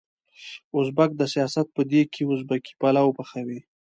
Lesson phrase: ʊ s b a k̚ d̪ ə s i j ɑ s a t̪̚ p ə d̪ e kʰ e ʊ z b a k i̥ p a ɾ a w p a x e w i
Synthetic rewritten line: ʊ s b a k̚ d̪ ə s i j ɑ s a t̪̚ p ə d̪ e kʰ e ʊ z b a k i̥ p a l a w p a x a w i